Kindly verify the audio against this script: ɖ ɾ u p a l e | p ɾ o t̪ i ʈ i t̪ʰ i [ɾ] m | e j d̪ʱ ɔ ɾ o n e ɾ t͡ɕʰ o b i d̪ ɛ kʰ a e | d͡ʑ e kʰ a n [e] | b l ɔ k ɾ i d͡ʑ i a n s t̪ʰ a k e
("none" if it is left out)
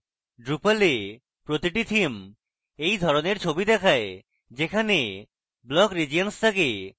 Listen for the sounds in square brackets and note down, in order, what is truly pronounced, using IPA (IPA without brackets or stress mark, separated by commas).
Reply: none, e